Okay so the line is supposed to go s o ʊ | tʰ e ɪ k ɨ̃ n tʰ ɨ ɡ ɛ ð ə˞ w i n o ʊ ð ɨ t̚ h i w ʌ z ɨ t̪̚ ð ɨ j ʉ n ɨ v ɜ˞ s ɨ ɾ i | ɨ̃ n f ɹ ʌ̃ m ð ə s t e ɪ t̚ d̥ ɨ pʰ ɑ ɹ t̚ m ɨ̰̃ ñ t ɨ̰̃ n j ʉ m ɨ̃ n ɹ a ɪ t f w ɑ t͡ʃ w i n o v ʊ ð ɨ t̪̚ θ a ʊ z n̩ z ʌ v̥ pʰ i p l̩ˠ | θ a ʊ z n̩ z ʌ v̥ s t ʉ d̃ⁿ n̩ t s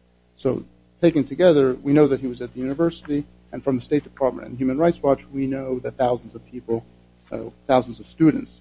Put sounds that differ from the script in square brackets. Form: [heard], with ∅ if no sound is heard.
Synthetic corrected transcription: s o ʊ | tʰ e ɪ k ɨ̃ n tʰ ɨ ɡ ɛ ð ə˞ w i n o ʊ ð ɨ t̚ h i w ʌ z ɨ t̪̚ ð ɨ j ʉ n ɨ v ɜ˞ s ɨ ɾ i | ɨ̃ n f ɹ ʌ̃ m ð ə s t e ɪ t̚ d̥ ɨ pʰ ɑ ɹ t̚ m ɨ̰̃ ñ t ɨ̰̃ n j ʉ m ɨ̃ n ɹ a ɪ t [s] w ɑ t͡ʃ w i n o [∅] ʊ ð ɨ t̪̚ θ a ʊ z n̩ z ʌ v̥ pʰ i p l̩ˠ | θ a ʊ z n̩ z ʌ v̥ s t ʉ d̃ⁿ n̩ t s